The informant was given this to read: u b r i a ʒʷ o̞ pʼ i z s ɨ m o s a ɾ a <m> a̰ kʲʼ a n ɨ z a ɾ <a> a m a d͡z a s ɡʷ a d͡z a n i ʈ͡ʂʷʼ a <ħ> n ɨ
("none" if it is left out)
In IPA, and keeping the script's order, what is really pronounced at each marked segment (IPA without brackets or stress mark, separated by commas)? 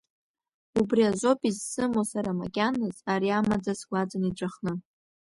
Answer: m, i, χ